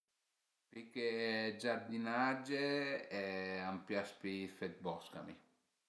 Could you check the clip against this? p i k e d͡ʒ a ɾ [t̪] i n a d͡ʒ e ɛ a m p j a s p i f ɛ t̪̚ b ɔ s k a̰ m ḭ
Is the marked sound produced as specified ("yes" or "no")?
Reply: no